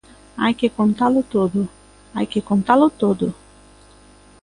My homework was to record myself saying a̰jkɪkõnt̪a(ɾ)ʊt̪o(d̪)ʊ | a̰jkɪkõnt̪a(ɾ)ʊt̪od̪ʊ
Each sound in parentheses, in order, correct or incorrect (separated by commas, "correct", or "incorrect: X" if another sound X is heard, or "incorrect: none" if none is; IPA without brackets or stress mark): incorrect: l, correct, incorrect: l